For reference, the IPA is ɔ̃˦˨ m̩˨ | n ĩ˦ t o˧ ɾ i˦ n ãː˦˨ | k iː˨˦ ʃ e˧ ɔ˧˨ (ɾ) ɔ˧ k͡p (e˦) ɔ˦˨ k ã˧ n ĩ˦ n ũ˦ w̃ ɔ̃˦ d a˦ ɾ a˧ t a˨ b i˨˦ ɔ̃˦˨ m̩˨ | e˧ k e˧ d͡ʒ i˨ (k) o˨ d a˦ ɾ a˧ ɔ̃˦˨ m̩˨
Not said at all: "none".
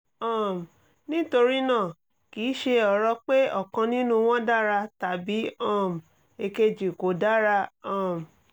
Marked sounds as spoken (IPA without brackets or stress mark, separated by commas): ɾ, e˦, k